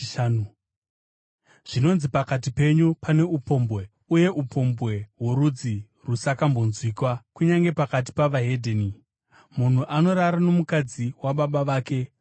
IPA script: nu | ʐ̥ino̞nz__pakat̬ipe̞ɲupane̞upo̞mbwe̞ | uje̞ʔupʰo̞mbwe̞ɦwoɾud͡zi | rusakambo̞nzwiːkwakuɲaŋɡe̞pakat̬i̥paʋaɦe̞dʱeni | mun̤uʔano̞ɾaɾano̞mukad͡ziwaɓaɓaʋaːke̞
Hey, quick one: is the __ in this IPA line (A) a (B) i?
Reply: B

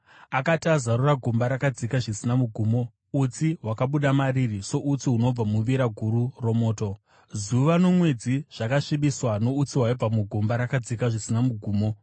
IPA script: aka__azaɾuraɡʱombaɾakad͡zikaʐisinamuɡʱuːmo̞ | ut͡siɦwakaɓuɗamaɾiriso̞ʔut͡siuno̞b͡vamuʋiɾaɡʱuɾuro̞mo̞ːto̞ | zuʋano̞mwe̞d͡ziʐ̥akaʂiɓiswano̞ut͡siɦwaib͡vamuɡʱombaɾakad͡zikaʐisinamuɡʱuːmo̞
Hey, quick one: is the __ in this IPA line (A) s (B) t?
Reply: B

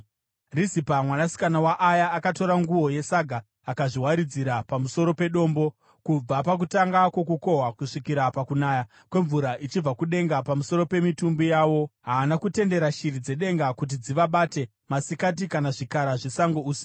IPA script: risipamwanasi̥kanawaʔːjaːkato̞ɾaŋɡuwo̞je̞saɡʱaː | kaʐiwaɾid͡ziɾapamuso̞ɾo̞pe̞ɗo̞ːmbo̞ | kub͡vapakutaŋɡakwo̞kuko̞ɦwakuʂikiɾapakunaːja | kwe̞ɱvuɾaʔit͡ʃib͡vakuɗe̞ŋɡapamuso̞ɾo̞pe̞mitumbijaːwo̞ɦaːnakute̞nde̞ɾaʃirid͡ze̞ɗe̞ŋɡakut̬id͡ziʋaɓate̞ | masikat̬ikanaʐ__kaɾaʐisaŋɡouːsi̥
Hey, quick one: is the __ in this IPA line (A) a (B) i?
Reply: B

